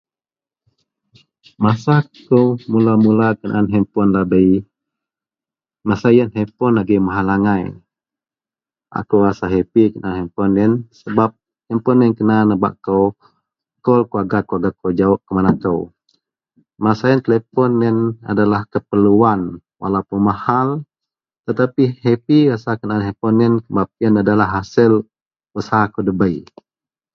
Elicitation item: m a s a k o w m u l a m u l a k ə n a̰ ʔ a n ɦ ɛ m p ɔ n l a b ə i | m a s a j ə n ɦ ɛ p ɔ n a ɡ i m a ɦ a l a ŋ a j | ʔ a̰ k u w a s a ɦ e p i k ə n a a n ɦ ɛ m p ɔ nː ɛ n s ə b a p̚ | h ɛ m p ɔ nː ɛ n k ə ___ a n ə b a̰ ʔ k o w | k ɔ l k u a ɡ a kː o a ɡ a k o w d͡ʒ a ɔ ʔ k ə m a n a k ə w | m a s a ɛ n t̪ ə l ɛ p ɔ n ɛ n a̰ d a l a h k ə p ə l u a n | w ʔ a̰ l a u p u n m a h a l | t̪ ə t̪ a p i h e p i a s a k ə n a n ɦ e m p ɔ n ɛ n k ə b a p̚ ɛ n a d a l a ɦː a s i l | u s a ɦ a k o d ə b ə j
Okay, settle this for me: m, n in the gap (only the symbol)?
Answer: n